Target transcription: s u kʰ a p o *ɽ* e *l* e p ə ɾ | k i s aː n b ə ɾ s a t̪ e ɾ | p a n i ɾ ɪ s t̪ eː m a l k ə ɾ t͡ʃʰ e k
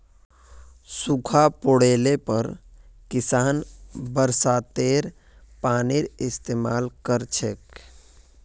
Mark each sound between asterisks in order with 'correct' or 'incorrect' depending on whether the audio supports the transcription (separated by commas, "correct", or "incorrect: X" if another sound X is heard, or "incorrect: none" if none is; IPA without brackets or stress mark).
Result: correct, correct